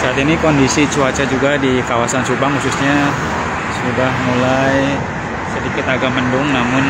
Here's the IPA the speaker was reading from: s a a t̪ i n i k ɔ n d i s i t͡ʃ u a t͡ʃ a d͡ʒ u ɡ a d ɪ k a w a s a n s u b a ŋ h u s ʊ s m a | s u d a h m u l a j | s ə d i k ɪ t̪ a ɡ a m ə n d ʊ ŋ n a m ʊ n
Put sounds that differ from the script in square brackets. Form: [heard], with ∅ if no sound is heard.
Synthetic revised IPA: s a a t̪ i n i k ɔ n d i s i t͡ʃ u a t͡ʃ a d͡ʒ u ɡ a d [i] k a w a s a n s u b a ŋ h u s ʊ s [ɲ] a | s u d a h m u l a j | s ə d i k ɪ t̪ a ɡ a m ə n d ʊ ŋ n a m ʊ n